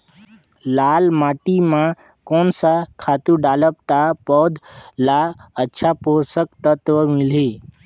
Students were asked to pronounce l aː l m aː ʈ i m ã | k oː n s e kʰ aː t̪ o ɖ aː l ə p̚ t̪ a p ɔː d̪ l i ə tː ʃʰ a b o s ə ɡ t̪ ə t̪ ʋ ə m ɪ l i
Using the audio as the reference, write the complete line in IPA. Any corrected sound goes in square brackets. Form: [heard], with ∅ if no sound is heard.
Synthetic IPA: l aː l m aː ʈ i m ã | k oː n s [a] kʰ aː t̪ [u] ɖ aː l ə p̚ t̪ a p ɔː d̪ l [a] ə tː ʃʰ a [p] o s ə [k] t̪ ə t̪ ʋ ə m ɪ l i